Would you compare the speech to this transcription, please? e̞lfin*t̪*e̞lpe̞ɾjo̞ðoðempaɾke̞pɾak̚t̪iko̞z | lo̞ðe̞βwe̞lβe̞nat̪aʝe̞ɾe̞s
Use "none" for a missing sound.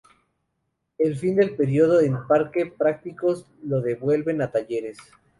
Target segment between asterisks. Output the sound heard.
d̪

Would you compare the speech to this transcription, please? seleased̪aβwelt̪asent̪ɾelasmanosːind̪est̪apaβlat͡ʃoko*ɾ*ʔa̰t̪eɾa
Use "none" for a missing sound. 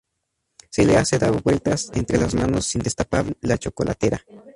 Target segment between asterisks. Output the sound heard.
l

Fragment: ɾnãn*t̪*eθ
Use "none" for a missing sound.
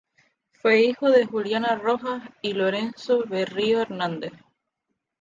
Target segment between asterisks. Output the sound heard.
d̪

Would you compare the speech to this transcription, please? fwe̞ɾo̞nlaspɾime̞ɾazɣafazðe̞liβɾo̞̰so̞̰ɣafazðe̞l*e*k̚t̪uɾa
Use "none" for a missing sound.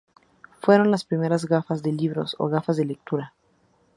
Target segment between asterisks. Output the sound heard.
e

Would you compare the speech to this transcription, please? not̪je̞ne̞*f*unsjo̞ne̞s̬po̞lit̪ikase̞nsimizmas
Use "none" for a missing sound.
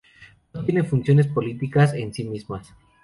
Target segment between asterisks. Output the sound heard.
f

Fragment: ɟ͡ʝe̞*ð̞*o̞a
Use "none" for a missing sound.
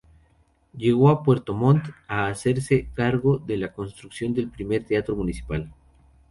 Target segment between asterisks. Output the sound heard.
ɣ̞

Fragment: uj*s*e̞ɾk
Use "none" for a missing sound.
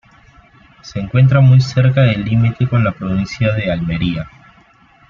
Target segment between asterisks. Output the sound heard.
s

